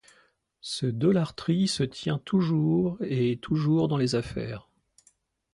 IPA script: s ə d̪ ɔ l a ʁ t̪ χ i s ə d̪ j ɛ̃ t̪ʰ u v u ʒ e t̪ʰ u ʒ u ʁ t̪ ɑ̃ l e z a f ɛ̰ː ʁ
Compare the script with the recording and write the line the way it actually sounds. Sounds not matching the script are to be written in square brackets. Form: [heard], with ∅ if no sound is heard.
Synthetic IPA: s ə d̪ ɔ l a ʁ t̪ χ i s ə [t̪] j ɛ̃ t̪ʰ u [ʒ] u [ʁ] e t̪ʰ u ʒ u ʁ [d̪] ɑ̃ l e z a f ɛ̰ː ʁ